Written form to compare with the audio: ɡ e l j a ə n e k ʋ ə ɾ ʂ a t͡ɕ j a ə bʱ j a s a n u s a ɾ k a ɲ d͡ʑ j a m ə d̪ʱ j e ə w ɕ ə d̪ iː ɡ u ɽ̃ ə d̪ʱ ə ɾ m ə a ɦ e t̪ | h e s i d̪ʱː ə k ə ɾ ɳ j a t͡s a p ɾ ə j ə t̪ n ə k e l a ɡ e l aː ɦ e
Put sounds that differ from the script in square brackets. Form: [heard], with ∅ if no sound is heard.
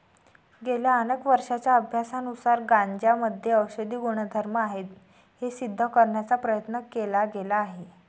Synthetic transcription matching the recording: ɡ e l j a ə n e k ʋ ə ɾ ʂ a t͡ɕ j a ə bʱ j a s a n u s a ɾ [ɡ] a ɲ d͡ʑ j a m ə d̪ʱ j e ə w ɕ ə d̪ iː ɡ u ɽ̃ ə d̪ʱ ə ɾ m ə a ɦ e t̪ | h e s i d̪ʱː ə k ə ɾ ɳ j a t͡s a p ɾ ə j ə t̪ n ə k e l a ɡ e l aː ɦ e